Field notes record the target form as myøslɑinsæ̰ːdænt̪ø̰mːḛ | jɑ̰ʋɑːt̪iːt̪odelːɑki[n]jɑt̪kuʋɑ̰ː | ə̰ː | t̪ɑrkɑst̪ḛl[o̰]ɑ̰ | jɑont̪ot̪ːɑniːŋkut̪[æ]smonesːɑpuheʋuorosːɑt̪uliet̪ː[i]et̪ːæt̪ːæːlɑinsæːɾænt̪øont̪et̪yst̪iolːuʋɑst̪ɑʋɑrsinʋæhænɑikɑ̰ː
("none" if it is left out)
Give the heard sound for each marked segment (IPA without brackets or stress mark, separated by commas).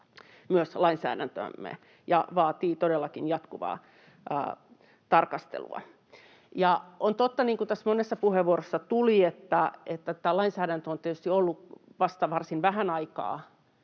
n, ṵ, æ, æ